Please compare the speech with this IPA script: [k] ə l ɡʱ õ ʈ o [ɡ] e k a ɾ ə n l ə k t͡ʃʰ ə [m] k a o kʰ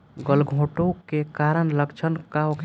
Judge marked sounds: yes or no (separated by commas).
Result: no, no, no